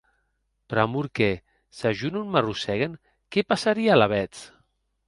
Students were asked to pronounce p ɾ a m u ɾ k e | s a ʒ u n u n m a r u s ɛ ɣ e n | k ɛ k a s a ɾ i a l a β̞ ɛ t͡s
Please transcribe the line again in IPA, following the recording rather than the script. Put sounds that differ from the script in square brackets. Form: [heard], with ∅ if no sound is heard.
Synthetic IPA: p ɾ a m u ɾ k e | s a ʒ u n u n m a r u s ɛ ɣ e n | k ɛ [p] a s a ɾ i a l a β̞ ɛ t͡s